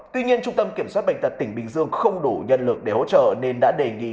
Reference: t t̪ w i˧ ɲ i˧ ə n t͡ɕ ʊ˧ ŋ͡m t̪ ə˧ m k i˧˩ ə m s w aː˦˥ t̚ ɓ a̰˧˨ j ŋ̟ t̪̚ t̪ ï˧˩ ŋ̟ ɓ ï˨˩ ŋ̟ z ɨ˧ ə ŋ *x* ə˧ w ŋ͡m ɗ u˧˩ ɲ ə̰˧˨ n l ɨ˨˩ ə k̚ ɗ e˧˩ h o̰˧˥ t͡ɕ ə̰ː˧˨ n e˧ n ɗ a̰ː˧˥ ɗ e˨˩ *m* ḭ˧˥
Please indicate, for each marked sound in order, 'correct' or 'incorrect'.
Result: correct, incorrect

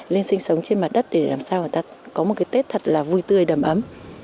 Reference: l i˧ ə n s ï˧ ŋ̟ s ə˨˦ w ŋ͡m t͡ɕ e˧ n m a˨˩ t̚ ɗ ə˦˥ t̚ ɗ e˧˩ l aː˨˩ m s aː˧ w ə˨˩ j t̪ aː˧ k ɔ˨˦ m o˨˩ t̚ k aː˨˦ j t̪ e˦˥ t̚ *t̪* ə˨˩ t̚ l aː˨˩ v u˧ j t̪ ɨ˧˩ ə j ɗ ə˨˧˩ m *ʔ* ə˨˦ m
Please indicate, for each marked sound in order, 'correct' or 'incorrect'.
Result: incorrect, correct

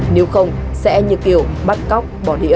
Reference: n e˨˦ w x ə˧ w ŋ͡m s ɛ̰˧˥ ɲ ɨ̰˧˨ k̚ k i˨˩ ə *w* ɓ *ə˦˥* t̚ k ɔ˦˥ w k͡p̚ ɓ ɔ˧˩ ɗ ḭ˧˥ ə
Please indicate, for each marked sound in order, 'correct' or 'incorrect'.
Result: correct, incorrect

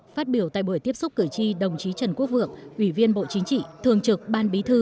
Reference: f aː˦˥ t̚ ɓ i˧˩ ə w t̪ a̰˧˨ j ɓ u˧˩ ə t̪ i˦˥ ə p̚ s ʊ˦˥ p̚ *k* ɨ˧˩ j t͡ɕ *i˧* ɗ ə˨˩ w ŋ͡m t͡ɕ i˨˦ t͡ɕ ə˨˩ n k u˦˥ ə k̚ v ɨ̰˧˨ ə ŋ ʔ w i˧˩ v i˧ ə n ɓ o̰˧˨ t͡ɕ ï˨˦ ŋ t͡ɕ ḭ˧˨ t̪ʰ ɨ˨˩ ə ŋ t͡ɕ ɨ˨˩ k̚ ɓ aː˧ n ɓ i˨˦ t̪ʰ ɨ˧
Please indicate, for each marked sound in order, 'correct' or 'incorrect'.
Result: correct, correct

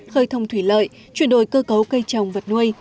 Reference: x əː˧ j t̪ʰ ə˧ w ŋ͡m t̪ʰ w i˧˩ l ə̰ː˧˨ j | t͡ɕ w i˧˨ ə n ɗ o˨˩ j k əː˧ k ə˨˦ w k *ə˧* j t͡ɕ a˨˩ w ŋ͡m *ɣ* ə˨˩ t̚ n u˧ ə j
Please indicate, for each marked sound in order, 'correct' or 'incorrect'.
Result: correct, incorrect

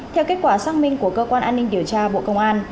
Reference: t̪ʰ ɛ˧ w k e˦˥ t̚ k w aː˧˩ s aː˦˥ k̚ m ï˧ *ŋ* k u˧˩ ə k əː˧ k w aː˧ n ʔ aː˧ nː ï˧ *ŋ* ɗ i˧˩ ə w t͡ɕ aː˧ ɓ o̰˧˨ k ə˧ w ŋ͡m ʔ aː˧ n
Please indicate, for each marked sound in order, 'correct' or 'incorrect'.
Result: correct, correct

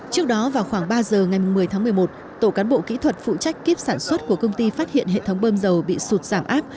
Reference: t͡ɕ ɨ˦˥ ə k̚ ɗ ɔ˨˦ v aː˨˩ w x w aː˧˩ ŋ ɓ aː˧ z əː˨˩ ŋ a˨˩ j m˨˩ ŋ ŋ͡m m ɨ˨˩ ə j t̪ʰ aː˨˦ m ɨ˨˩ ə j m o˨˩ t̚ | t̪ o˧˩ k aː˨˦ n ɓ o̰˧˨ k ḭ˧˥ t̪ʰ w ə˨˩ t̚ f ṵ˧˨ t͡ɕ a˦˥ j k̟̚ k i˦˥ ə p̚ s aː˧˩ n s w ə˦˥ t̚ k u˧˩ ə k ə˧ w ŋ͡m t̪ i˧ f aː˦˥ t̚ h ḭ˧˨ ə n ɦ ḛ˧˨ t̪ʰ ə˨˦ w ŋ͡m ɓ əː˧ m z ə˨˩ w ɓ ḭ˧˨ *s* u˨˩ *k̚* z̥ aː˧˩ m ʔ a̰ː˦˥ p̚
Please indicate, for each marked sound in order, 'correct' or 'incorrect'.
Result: correct, incorrect

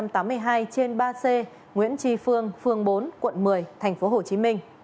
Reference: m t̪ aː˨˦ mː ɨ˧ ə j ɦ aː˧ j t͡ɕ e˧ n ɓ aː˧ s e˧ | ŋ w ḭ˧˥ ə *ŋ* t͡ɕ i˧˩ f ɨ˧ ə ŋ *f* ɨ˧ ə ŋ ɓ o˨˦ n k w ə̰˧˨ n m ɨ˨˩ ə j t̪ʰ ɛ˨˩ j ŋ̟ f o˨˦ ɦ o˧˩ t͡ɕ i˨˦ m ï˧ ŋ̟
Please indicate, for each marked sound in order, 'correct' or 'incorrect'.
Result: incorrect, correct

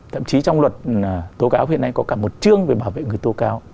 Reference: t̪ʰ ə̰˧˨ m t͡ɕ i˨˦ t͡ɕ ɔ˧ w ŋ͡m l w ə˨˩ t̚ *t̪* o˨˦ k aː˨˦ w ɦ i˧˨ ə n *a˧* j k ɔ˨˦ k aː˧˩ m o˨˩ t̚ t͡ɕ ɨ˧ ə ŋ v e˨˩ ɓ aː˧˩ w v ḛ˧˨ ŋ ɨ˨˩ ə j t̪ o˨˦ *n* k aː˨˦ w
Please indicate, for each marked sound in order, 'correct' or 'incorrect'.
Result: correct, correct, incorrect

